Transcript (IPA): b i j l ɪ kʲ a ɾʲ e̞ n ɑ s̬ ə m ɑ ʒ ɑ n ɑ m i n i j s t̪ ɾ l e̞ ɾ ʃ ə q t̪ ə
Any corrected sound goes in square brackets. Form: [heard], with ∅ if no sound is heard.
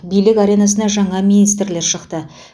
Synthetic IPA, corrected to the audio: b i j l ɪ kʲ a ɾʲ e̞ n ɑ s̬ ə [n] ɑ ʒ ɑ [ɴ] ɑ m i n i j s t̪ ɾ l e̞ ɾ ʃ ə q t̪ ə